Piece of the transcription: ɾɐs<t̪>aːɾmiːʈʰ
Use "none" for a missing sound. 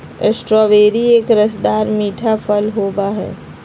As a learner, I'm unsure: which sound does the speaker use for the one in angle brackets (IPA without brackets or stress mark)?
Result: d̪